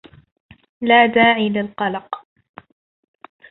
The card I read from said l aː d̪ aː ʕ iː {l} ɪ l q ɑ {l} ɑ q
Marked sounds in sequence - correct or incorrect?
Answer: correct, correct

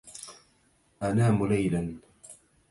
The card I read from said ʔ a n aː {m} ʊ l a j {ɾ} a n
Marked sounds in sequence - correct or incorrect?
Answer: correct, incorrect: l

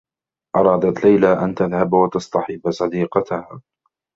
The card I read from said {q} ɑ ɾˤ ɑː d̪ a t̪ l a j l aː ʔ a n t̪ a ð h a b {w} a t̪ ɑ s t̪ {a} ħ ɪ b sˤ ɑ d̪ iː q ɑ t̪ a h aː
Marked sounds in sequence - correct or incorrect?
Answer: incorrect: ʔ, correct, incorrect: ɑ

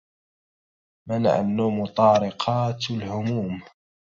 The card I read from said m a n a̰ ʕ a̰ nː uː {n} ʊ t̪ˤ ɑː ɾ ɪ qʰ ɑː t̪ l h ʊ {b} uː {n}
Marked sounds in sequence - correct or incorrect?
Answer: incorrect: m, incorrect: m, incorrect: m

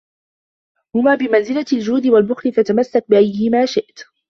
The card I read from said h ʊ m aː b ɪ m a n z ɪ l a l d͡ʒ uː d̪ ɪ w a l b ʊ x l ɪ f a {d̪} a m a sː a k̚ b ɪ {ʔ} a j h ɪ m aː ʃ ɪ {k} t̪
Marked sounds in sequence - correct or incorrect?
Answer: incorrect: t̪, correct, incorrect: ʔ

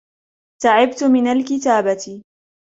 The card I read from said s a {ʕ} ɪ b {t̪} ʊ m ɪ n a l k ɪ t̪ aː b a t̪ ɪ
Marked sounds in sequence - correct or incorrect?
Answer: correct, correct

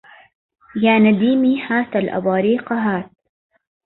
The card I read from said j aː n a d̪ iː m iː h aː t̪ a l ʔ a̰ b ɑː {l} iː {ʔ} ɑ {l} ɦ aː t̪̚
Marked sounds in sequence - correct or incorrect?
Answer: incorrect: ɾ, incorrect: q, incorrect: none

